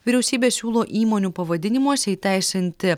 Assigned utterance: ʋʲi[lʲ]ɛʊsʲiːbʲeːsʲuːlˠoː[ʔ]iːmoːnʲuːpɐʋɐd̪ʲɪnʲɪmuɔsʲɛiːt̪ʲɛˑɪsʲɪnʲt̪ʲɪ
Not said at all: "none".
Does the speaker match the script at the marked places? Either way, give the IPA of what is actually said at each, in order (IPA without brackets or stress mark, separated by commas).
ɾʲ, ʔ